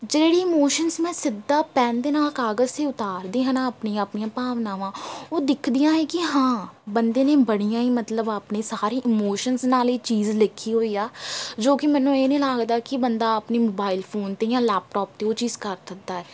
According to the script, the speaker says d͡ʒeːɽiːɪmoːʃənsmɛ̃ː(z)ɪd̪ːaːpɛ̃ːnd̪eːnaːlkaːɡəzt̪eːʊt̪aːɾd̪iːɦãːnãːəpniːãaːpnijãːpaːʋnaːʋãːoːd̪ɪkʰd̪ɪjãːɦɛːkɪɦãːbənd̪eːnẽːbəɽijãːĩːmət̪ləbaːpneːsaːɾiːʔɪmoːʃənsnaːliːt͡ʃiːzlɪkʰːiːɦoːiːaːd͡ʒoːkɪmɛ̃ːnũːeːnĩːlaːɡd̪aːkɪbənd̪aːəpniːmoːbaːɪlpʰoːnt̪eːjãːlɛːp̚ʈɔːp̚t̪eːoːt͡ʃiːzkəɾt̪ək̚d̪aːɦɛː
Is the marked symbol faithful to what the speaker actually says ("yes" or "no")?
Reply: no